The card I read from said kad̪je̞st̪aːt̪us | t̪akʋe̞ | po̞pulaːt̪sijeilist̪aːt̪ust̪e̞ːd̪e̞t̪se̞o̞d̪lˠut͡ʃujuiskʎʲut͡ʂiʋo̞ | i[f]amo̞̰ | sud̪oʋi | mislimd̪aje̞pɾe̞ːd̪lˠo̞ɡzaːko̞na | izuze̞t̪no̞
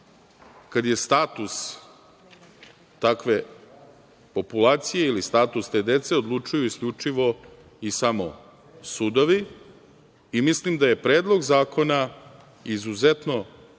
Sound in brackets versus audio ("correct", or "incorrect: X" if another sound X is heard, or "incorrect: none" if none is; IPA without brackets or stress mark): incorrect: s